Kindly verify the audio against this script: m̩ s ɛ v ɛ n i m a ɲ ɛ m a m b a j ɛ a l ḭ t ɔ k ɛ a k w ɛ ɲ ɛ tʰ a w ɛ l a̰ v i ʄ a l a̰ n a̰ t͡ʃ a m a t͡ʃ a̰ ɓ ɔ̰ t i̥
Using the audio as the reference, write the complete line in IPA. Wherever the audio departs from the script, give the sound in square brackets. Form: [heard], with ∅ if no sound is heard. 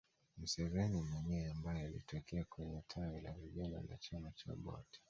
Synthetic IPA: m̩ s ɛ v ɛ n i m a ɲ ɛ [∅] a m b a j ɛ a l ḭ t ɔ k ɛ a k w ɛ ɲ ɛ tʰ a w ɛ l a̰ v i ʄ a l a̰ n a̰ t͡ʃ a m a t͡ʃ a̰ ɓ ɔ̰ t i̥